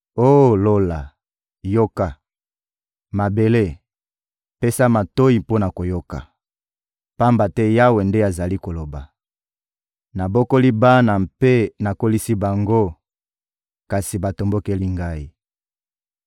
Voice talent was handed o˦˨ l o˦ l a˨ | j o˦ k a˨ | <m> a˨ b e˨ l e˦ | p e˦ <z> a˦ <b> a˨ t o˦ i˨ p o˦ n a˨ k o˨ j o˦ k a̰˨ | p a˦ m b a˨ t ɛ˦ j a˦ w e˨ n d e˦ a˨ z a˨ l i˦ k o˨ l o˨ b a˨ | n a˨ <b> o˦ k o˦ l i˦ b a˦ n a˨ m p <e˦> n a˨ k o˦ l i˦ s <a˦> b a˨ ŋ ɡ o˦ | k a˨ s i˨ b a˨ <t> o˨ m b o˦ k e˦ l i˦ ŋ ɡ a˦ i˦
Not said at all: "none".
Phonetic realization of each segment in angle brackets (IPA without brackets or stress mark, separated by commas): m, s, m, b, e˦, i˦, t